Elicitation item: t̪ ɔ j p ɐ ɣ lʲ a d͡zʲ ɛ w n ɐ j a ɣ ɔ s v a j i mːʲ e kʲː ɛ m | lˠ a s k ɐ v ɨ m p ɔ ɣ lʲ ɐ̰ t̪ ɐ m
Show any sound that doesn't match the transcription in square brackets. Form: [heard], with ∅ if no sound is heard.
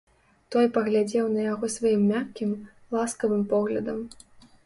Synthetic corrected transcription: t̪ ɔ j p ɐ ɣ lʲ a d͡zʲ ɛ w n ɐ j a ɣ ɔ s v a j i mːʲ [a] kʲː [i] m | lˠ a s k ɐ v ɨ m p ɔ ɣ lʲ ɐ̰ [d̪] ɐ m